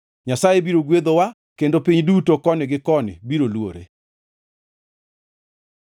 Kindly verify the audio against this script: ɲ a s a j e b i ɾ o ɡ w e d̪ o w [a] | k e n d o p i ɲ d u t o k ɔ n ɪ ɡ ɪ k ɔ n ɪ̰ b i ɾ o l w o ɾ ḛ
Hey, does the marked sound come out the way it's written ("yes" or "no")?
yes